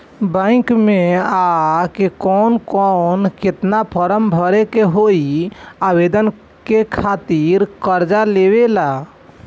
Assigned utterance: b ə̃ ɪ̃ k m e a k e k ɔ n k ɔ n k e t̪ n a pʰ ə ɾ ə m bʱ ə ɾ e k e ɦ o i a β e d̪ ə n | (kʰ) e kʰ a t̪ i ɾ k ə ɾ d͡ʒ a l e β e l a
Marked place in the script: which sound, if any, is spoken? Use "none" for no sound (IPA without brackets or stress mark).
k